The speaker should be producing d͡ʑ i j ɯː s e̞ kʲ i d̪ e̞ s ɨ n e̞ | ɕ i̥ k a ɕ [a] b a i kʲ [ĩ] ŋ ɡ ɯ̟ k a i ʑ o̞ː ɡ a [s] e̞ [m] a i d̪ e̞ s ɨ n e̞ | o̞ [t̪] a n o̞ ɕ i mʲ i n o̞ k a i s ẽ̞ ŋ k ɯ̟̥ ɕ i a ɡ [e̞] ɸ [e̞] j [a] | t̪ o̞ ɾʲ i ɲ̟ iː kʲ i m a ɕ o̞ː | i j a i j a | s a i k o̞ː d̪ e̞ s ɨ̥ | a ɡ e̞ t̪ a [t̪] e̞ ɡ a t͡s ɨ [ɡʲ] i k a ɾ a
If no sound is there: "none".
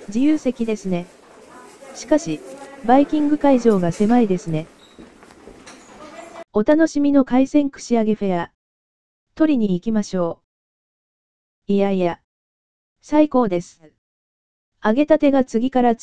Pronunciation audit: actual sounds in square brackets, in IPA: i, ĩ, s, m, t̪, e̞, e̞, a, t̪, ɡʲ

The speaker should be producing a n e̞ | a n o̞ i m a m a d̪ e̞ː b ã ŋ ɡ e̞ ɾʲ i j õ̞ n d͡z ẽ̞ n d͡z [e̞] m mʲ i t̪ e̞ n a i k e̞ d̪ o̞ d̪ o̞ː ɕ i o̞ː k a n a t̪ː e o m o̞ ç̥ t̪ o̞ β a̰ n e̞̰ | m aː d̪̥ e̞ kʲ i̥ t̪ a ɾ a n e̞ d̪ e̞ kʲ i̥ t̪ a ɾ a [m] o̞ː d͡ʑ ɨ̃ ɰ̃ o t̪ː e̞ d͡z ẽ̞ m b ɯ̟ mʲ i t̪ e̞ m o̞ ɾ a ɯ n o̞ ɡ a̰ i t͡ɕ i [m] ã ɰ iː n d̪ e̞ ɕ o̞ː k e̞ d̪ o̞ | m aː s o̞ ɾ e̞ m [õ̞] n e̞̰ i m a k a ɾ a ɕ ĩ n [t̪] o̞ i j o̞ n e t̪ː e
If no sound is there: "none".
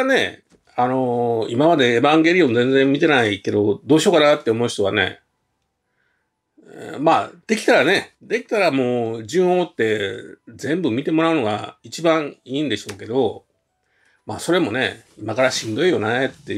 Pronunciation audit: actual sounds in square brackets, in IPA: ẽ̞, m, b, o̞, d̪

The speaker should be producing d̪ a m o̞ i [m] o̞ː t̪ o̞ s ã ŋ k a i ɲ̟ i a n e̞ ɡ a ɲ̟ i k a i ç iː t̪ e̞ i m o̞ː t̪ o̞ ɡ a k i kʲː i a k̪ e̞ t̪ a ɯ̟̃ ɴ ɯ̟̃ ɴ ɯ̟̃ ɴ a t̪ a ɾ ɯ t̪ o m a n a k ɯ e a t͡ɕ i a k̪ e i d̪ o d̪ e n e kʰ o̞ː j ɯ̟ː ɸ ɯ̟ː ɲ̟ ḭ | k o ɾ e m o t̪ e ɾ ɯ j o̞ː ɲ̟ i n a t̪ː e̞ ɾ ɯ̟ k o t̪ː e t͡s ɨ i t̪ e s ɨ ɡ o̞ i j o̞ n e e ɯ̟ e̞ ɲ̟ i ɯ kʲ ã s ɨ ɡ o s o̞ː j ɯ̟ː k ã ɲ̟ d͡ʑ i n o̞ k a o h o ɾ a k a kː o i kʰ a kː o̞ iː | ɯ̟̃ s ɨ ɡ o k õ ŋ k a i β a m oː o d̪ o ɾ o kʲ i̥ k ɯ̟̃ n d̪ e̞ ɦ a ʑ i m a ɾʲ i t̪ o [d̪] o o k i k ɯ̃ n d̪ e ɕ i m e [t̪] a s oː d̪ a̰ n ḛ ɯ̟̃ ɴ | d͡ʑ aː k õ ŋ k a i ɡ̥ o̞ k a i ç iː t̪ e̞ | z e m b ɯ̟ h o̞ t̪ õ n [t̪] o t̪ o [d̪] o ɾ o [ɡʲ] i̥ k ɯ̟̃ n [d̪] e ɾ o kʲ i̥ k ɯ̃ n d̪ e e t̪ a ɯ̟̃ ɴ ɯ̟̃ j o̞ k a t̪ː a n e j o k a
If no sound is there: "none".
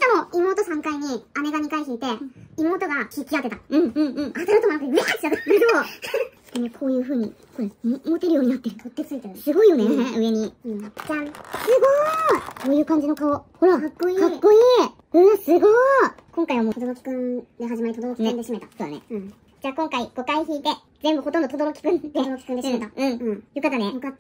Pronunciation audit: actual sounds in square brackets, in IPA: m, d̪, t̪, d̪, d̪, kʲ, d̪

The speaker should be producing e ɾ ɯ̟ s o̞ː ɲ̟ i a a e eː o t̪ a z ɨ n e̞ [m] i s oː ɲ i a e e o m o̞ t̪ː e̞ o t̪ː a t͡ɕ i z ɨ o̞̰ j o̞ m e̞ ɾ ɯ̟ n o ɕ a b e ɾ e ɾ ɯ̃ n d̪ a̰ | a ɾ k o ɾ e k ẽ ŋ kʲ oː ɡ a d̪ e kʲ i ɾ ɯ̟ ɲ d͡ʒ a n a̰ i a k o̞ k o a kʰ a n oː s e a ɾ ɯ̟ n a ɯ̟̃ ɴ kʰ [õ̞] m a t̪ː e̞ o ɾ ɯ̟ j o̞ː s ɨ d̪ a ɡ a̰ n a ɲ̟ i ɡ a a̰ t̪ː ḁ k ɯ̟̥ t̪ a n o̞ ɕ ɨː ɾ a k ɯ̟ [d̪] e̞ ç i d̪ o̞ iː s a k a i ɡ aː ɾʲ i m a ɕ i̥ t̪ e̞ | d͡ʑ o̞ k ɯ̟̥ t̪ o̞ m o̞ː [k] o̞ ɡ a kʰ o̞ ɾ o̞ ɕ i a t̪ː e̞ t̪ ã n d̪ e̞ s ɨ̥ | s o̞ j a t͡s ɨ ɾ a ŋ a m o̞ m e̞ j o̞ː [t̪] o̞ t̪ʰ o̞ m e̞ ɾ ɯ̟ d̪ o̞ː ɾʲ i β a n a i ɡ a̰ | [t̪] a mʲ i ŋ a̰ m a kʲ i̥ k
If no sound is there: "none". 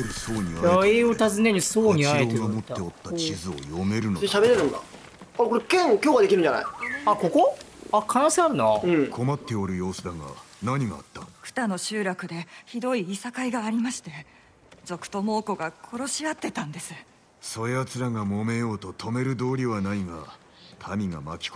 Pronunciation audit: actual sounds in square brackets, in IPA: ɲ, o̞, d̪, k, t̪, t̪ʰ

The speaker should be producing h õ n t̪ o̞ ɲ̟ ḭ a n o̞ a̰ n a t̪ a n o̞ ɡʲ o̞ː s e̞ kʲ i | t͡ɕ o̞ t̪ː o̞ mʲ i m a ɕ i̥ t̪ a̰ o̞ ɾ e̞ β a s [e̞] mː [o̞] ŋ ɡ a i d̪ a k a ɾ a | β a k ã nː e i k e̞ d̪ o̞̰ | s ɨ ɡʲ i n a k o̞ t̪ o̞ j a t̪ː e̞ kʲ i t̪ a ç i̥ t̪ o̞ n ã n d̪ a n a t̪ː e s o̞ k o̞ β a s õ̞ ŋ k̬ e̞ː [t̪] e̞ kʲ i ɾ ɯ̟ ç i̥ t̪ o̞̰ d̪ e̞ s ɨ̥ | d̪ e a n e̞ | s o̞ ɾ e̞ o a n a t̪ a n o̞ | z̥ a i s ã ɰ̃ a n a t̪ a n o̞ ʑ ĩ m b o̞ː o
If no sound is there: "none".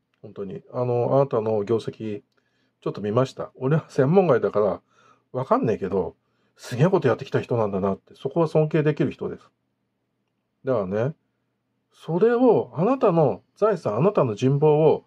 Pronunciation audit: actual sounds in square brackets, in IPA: ẽ̞, õ̞, d̪

